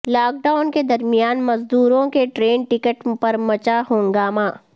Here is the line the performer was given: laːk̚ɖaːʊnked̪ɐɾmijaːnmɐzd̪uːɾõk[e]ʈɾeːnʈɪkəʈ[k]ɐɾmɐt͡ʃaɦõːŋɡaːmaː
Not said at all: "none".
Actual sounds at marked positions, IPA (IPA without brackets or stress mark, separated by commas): e, p